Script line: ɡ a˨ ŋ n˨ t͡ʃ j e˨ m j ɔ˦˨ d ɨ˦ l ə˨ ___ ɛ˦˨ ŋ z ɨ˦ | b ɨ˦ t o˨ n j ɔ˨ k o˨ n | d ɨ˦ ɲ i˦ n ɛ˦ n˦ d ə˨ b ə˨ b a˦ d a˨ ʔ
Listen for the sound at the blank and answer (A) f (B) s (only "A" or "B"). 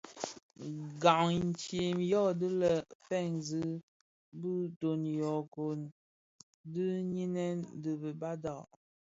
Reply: A